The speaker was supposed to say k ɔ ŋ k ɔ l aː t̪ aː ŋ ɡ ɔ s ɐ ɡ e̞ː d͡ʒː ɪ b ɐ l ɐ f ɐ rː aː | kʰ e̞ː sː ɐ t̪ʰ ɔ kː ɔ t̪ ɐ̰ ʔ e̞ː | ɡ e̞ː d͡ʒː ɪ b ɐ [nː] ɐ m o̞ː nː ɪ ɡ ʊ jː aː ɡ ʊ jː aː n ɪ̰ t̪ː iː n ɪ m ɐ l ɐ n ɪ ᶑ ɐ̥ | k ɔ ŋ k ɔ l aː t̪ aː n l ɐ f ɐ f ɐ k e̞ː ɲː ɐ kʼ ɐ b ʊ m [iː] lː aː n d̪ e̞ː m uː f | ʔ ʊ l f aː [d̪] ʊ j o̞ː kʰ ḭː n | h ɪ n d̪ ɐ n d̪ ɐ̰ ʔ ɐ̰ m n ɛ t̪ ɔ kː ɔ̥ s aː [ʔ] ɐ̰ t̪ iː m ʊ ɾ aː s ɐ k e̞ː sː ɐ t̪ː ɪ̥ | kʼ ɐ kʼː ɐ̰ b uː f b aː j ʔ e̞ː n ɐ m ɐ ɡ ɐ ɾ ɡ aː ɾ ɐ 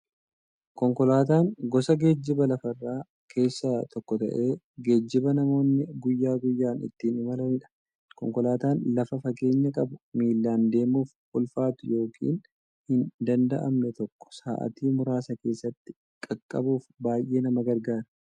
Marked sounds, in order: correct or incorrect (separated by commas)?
incorrect, correct, incorrect, correct